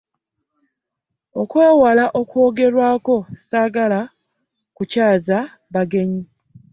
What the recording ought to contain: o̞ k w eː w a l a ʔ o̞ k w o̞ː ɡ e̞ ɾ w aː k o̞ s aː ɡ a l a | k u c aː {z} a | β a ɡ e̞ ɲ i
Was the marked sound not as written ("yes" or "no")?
no